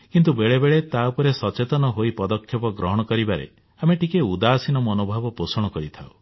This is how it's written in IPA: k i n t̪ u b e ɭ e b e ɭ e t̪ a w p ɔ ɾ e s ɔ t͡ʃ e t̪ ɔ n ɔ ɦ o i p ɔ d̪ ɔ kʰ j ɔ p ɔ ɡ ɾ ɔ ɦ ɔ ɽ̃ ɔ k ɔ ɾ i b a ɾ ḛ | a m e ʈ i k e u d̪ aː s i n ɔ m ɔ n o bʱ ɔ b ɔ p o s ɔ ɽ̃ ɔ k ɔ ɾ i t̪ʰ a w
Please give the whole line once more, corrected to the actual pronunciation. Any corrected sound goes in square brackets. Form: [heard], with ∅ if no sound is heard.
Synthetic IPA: k i n t̪ u b e ɭ e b e ɭ e t̪ a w p ɔ ɾ e s ɔ t͡ʃ e t̪ ɔ n ɔ ɦ o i p ɔ d̪ ɔ kʰ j ɔ p ɔ ɡ ɾ ɔ ɦ ɔ ɽ̃ ɔ k ɔ ɾ i b a ɾ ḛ | a m e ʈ i k e u d̪ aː s i n ɔ m ɔ n o bʱ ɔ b ɔ p o s ɔ ɽ̃ ɔ k ɔ ɾ i t̪ʰ a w